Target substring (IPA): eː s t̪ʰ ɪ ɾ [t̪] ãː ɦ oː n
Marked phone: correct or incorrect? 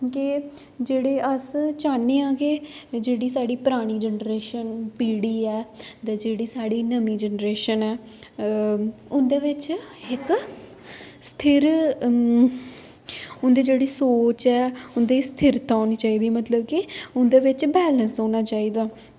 correct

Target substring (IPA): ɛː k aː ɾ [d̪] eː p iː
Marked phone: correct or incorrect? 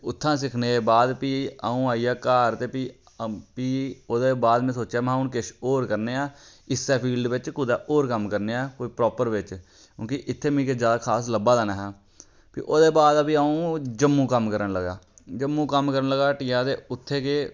incorrect: t̪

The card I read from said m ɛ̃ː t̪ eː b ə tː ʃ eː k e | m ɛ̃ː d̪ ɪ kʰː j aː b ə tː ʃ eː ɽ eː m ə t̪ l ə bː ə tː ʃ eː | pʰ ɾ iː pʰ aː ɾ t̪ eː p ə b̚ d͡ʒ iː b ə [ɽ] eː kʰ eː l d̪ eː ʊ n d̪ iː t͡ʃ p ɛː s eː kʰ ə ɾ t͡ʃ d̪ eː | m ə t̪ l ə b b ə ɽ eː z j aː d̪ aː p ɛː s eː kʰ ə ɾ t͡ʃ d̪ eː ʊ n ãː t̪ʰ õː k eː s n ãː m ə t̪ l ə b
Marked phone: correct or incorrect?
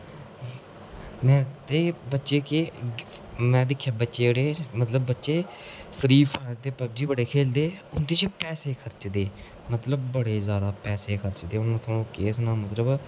correct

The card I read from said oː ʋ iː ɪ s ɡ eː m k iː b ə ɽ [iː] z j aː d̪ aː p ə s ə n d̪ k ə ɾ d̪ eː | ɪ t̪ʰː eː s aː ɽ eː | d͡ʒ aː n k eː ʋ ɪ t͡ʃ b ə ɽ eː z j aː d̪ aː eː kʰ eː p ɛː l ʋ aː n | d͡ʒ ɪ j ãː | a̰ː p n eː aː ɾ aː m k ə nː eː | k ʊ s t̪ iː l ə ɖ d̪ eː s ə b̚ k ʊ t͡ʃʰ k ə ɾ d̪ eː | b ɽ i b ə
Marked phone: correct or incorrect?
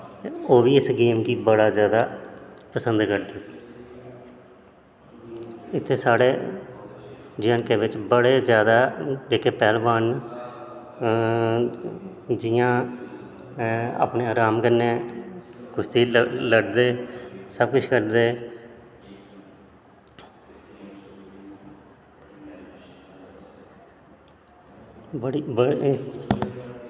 incorrect: aː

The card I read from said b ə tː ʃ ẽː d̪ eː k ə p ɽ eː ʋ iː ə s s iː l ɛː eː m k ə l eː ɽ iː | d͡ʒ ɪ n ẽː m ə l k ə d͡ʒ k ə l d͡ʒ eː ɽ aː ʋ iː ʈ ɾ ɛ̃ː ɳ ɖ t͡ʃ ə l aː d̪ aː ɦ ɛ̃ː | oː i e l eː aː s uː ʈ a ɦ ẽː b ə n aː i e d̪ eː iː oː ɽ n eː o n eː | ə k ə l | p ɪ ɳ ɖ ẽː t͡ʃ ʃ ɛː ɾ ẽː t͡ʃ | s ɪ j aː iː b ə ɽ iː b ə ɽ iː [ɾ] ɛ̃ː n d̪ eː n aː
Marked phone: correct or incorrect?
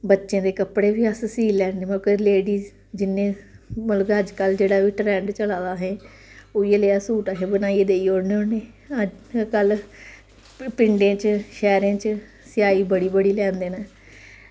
incorrect: l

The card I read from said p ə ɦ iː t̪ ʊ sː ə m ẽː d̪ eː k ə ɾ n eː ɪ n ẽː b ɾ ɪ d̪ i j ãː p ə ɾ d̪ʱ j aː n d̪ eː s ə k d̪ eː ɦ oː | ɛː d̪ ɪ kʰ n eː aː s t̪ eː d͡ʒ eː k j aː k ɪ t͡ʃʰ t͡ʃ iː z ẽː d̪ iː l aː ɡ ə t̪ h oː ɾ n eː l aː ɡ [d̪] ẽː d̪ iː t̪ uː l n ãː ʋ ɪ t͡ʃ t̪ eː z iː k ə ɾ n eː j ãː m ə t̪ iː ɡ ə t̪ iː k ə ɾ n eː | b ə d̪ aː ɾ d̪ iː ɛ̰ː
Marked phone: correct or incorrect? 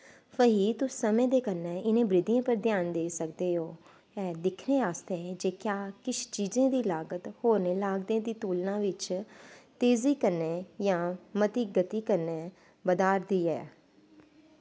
correct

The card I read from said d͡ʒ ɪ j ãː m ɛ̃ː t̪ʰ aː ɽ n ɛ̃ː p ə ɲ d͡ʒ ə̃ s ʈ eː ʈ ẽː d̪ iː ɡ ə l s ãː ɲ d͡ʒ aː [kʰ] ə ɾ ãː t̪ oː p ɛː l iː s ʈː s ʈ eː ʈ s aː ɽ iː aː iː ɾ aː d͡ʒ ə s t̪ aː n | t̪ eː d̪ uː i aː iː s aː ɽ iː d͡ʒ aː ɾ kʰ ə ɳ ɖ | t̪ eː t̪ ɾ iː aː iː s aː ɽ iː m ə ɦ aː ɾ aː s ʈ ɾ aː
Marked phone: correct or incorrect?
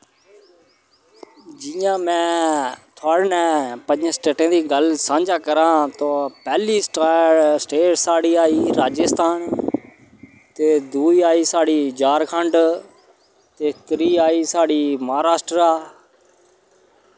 incorrect: k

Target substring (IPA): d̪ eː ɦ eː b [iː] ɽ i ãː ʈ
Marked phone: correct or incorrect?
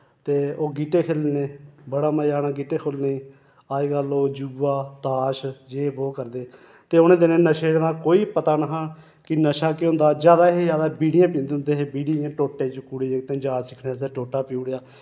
correct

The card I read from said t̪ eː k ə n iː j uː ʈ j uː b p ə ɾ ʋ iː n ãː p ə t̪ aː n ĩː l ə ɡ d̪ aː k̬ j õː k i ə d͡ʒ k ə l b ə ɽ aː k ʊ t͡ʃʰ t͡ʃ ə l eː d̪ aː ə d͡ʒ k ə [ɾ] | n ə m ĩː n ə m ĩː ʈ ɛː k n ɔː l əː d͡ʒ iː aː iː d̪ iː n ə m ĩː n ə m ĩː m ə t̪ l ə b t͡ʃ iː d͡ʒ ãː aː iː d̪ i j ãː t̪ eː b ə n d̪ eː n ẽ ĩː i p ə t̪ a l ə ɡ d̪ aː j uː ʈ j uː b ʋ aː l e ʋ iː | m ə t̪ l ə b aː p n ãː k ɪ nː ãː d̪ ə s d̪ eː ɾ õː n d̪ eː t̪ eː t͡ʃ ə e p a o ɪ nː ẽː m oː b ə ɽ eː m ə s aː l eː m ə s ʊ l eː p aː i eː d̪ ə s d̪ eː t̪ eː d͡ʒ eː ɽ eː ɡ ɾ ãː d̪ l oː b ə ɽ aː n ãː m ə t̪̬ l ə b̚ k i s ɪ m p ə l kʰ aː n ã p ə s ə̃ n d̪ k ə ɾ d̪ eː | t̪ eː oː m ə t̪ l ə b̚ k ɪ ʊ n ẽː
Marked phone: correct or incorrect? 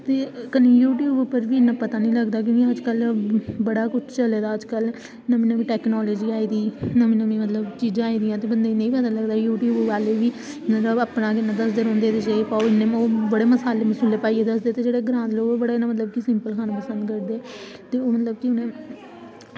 incorrect: l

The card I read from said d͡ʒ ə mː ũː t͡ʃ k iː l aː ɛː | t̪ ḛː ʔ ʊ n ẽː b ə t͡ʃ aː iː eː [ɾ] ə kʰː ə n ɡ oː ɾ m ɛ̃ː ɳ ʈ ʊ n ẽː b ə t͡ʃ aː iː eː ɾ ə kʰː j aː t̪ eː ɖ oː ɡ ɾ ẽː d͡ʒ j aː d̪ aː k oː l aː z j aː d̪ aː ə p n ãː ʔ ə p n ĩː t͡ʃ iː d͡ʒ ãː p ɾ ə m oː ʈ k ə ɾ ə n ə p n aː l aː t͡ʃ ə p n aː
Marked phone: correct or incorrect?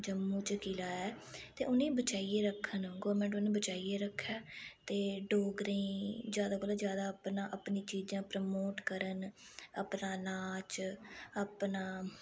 correct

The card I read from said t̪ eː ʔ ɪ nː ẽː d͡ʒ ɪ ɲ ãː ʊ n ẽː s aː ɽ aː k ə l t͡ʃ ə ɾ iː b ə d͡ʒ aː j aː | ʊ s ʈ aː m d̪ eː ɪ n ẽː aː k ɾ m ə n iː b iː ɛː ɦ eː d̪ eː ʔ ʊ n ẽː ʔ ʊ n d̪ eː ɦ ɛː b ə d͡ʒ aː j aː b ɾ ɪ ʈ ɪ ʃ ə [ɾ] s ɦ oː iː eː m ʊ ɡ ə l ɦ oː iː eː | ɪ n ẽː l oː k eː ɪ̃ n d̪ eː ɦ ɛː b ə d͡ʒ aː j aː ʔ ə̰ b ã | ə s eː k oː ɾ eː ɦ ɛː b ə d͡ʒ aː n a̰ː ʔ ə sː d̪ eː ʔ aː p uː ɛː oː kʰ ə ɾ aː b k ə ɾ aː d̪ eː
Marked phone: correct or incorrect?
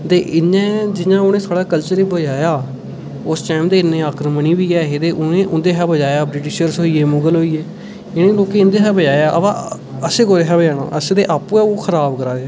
correct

